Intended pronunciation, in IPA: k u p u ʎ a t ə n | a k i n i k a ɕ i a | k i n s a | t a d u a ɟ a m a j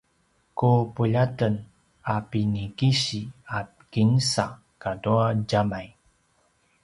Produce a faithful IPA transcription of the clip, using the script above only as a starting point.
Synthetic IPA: k u p u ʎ a t ə n | a p i n i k i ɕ i a | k i n s a | k a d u a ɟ a m a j